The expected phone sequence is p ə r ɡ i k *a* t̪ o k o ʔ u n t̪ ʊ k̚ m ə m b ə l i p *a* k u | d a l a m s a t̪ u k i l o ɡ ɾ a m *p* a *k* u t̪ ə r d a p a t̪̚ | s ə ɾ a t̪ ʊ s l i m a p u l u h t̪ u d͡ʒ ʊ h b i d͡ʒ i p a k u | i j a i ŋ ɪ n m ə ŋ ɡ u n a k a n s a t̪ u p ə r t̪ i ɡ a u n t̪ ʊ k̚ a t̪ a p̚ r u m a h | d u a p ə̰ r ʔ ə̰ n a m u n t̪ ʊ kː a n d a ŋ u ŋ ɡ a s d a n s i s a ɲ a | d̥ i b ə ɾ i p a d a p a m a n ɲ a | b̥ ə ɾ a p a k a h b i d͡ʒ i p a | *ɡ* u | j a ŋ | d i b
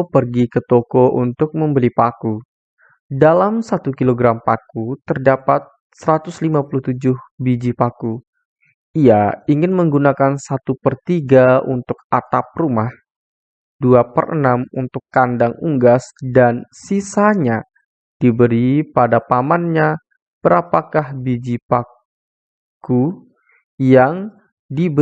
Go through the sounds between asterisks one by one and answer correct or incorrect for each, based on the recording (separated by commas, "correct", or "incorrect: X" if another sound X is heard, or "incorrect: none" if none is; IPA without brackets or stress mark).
incorrect: ə, correct, correct, correct, incorrect: k